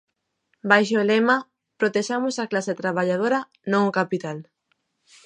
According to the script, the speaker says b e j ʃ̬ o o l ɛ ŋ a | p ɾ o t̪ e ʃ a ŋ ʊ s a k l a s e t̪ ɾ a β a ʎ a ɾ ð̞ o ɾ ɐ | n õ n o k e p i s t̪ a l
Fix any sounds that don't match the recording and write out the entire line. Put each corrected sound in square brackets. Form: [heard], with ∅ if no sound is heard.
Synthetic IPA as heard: b [a] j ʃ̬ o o l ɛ [m] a | p ɾ o t̪ e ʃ a [m] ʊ s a k l a s e t̪ ɾ a β a ʎ a [∅] ð̞ o ɾ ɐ | n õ [ŋ] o k [a] p i [∅] t̪ a l